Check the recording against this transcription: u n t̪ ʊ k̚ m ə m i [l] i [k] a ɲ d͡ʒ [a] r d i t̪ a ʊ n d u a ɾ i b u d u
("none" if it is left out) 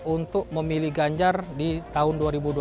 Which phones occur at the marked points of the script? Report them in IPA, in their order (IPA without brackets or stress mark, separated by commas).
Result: l, ɡ, a